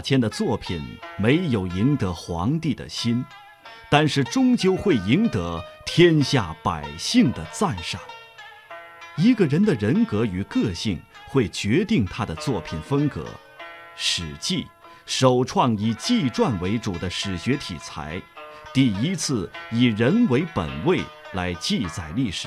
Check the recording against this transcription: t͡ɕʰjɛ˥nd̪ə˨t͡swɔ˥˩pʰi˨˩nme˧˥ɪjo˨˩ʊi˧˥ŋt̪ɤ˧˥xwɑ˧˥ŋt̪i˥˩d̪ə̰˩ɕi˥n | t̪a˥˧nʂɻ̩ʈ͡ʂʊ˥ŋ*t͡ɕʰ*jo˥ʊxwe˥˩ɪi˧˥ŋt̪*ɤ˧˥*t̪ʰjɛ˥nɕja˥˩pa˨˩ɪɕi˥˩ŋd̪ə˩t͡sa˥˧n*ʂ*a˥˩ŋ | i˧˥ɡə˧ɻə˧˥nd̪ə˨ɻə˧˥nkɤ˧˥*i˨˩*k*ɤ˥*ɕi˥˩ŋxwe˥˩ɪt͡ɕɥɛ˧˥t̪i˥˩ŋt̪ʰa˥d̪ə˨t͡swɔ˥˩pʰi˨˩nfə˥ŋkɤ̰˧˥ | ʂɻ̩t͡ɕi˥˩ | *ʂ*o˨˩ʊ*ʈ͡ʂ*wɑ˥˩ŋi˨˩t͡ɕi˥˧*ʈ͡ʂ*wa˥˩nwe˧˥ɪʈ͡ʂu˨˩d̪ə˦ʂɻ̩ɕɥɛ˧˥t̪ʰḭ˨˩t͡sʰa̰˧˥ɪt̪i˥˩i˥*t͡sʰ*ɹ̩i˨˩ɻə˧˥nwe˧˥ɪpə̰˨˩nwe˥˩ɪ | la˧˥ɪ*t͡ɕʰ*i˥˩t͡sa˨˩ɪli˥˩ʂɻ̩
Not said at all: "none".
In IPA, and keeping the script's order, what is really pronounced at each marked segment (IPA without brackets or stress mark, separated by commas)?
t͡ɕ, ɤ˧˥, ʂ, y˨˩, ɤ˥˧, ʂ, ʈ͡ʂʰ, ʈ͡ʂ, t͡sʰ, t͡ɕ